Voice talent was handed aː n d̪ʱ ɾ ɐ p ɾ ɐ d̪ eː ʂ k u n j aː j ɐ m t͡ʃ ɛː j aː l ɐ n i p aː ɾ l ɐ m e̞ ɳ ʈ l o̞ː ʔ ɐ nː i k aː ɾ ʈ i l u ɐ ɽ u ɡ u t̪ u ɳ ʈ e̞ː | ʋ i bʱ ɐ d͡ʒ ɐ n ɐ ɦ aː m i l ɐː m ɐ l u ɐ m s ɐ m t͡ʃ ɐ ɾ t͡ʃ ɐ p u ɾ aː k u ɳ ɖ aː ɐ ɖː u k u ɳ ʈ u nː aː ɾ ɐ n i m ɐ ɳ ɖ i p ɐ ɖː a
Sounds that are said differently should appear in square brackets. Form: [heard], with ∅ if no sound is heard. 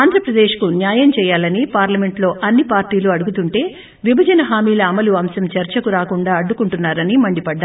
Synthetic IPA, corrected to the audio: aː n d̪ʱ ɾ ɐ p ɾ ɐ d̪ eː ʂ k u n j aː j ɐ m t͡ʃ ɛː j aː l ɐ n i p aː ɾ l ɐ m e̞ ɳ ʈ l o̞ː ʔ ɐ nː i [p] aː ɾ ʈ [iː] l u ɐ ɽ u ɡ u t̪ u ɳ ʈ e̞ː | ʋ i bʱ ɐ d͡ʒ ɐ n ɐ ɦ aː m [iː] l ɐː m ɐ l u ɐ m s ɐ m t͡ʃ ɐ ɾ t͡ʃ ɐ [k] u ɾ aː k u ɳ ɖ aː ɐ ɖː u k u ɳ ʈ u nː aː ɾ ɐ n i m ɐ ɳ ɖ i p ɐ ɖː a